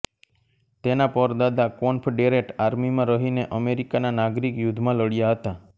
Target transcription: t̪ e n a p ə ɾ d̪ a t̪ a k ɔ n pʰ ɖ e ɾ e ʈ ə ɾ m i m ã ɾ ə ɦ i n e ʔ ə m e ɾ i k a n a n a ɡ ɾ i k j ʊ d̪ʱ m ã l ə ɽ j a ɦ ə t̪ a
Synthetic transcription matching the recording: t̪ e n a p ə ɾ d̪ a d̪ a k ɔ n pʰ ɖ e ɾ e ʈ a ɾ m i m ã ɾ ə ɦ i n e ʔ ə m e ɾ i k a n a n a ɡ ɾ i k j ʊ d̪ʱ m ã l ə ɽ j a ɦ ə t̪ a